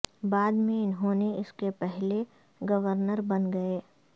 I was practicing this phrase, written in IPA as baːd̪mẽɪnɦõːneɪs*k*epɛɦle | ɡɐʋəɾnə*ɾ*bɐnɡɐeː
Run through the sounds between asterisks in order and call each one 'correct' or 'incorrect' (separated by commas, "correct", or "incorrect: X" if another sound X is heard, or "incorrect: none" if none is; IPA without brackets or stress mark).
correct, correct